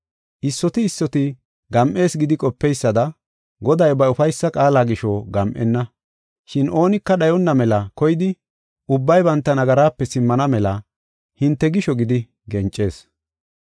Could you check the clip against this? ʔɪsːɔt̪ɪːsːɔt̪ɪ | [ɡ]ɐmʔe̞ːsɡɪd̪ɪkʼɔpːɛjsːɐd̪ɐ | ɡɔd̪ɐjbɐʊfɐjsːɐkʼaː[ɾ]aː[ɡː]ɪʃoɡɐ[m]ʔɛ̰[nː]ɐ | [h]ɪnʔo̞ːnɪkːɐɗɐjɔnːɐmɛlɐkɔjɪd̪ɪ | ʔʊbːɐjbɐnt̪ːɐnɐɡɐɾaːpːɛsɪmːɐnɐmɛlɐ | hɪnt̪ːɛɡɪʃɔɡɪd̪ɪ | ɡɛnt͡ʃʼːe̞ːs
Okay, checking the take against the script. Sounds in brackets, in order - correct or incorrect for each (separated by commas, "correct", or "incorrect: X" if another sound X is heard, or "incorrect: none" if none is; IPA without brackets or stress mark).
correct, incorrect: l, incorrect: ɡ, correct, correct, incorrect: ʃ